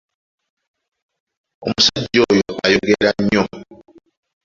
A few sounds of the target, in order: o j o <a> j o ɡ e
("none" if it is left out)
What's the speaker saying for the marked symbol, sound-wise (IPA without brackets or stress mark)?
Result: a